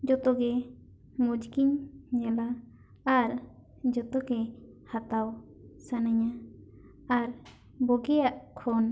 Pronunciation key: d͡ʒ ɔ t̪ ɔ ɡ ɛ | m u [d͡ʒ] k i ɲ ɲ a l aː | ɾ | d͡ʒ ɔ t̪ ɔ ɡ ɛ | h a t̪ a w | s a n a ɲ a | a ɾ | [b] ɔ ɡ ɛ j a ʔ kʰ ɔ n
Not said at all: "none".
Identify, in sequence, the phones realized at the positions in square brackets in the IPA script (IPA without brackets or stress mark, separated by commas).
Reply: d͡ʒ, b